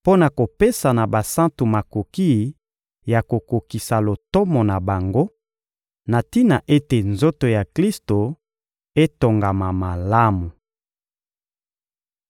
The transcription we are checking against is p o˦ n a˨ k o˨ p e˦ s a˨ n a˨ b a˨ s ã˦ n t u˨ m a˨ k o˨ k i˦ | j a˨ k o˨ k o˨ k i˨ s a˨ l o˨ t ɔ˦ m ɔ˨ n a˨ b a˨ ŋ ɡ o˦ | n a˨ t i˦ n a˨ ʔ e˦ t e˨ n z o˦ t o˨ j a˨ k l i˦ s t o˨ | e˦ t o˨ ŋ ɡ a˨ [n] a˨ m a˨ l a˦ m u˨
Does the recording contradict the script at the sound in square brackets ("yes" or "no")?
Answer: yes